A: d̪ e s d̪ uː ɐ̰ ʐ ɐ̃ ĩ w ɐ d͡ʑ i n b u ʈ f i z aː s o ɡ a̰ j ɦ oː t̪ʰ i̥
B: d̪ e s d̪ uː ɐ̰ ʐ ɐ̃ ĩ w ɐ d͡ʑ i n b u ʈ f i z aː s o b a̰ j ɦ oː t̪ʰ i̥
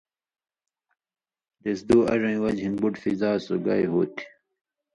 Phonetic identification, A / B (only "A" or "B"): A